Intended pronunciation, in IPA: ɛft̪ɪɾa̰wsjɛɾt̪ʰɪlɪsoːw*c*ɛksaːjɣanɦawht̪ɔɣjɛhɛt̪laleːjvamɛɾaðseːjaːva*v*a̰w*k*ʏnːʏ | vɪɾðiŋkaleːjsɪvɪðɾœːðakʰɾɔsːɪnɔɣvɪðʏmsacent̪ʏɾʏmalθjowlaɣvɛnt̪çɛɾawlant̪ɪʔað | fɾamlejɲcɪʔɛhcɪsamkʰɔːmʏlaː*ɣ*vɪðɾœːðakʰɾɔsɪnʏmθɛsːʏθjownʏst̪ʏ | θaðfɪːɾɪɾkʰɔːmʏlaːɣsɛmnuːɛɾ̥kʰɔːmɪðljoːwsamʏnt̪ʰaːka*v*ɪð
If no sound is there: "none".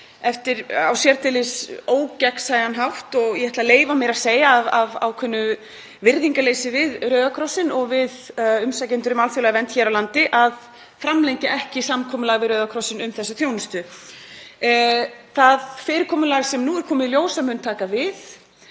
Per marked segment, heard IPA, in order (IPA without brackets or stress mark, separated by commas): c, v, kʰ, ɣ, v